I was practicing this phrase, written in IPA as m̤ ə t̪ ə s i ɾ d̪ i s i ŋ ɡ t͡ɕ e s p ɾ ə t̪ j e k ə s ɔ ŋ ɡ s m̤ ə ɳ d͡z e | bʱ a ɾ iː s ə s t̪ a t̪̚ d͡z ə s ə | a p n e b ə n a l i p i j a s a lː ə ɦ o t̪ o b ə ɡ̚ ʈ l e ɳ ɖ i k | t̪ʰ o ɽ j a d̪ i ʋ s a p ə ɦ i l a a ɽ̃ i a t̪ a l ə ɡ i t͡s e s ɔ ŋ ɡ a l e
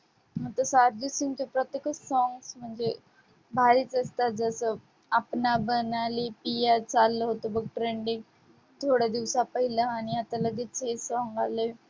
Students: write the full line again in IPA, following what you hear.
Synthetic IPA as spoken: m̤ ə t̪ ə s a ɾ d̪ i s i ŋ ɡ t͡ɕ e p ɾ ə t̪ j e k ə s ɔ ŋ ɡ s m̤ ə ɳ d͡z e | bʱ a ɾ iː t͡s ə s t̪ a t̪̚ d͡z ə s ə | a p n a b ə n a l i p i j a t͡s a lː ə ɦ o t̪ o b ə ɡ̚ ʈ ɾ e ɳ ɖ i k | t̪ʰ o ɽ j a d̪ i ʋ s a p ə ɦ i l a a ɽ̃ i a t̪ a l ə ɡ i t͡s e s ɔ ŋ ɡ a l e